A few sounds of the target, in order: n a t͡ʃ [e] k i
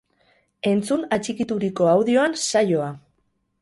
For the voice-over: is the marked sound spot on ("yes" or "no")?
no